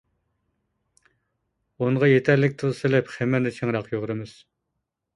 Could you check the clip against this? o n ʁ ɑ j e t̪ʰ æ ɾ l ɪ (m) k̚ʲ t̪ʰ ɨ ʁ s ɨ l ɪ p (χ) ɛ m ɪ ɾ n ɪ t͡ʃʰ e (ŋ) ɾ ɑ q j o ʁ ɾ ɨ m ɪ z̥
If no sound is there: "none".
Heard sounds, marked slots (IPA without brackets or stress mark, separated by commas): none, χ, ŋ